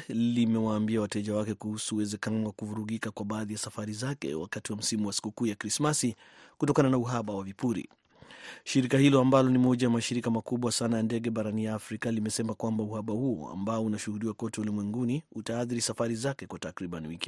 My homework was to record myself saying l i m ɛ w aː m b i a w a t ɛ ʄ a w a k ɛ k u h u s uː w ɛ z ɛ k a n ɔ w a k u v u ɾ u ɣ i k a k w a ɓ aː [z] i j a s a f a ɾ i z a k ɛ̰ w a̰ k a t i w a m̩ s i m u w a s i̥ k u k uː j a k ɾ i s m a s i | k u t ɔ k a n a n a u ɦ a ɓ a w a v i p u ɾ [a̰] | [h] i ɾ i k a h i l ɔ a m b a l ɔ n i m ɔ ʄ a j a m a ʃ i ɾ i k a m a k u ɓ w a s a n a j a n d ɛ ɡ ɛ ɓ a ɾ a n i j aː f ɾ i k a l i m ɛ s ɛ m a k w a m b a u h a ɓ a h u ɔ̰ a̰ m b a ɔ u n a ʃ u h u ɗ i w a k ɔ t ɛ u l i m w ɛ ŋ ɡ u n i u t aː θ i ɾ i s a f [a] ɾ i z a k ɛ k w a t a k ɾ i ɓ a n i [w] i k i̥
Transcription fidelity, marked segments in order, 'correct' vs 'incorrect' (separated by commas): incorrect, incorrect, incorrect, correct, correct